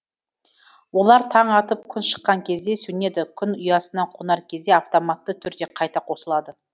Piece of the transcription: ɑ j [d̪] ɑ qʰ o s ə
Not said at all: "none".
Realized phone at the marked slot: t̪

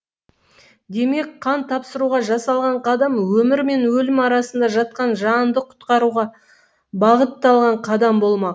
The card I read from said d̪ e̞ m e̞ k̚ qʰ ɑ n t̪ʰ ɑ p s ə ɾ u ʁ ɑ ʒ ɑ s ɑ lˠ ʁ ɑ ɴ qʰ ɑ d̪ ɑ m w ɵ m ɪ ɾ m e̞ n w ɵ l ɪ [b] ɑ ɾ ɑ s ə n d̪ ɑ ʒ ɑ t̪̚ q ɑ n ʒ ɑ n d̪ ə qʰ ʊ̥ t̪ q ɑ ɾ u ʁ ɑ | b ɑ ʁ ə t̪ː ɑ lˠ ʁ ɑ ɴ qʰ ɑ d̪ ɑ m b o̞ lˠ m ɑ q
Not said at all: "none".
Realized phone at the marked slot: m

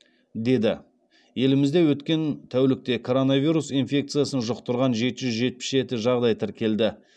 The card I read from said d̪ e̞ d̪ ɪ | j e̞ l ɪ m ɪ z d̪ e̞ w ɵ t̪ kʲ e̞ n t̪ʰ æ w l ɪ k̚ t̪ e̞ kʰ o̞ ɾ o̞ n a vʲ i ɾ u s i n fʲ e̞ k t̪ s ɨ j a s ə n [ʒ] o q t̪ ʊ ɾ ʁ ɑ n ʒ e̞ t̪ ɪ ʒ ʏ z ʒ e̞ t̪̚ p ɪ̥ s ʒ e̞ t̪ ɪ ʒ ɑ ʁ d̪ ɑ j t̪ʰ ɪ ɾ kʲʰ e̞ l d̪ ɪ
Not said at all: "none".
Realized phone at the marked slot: ʒ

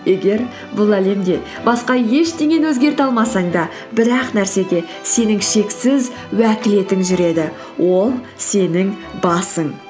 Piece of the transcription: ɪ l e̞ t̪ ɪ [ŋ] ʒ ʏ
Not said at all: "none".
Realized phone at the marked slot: ŋ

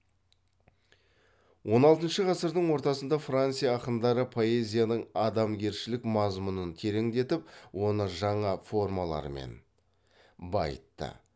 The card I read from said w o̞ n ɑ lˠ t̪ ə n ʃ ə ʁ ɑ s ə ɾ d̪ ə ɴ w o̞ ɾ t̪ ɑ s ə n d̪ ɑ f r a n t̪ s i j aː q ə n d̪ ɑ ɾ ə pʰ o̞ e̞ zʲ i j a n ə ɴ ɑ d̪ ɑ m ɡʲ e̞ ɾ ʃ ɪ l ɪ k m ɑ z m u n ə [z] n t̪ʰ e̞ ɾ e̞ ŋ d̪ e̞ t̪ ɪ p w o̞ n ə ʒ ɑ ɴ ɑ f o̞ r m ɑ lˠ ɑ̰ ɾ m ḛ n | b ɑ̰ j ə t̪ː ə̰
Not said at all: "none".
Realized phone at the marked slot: none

